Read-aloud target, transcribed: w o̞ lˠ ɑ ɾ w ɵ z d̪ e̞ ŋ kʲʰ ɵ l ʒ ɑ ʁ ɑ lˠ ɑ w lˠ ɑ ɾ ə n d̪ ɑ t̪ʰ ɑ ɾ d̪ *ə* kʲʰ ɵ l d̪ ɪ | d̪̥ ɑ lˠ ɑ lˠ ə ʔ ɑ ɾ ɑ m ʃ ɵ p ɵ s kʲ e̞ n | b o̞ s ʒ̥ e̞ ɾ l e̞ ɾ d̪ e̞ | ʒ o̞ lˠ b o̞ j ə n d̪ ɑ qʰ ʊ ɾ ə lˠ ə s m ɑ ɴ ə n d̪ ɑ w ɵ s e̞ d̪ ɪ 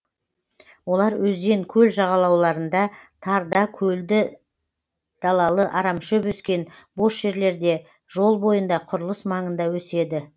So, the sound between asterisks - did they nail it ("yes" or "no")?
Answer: no